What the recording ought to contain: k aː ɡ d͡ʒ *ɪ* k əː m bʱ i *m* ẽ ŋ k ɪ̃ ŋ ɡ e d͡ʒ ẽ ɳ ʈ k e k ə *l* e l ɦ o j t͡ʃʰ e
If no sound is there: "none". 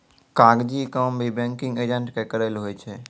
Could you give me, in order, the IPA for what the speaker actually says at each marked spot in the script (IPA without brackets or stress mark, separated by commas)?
i, b, ɾ